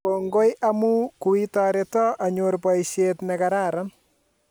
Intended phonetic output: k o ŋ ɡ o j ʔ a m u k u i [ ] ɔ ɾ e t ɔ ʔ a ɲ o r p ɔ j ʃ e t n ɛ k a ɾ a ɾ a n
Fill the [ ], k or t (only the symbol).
t